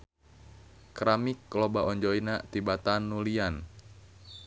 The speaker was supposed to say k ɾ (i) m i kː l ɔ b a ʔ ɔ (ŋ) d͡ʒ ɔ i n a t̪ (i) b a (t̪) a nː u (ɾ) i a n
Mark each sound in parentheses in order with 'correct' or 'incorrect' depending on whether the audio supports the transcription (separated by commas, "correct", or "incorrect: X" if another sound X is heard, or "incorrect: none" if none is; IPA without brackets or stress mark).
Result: incorrect: a, incorrect: ɲ, correct, correct, incorrect: l